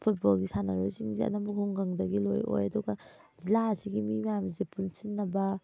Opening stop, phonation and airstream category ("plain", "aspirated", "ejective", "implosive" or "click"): aspirated